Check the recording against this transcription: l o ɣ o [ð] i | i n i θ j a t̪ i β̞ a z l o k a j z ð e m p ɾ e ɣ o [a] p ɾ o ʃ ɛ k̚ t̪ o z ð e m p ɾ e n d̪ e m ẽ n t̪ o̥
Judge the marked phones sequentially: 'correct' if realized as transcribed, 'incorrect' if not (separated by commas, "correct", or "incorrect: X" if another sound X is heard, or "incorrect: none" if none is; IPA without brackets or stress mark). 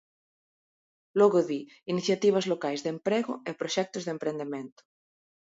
correct, incorrect: e